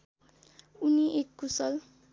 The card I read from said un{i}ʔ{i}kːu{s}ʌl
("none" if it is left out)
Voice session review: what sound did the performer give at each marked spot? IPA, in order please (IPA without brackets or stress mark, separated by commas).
i, e, s